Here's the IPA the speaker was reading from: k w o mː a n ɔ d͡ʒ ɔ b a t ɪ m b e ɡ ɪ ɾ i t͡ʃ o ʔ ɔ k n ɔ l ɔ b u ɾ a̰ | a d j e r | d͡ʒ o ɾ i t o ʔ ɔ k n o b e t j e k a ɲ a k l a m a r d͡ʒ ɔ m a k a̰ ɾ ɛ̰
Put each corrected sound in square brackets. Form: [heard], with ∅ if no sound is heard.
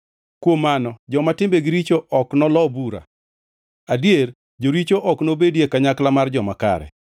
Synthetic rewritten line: k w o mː a n ɔ d͡ʒ ɔ [m] a t ɪ m b e ɡ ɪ ɾ i t͡ʃ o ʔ ɔ k n ɔ l ɔ b u ɾ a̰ | a d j e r | d͡ʒ o ɾ i [t͡ʃ] o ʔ ɔ k n o b e [d] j e k a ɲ a k l a m a r d͡ʒ ɔ m a k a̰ ɾ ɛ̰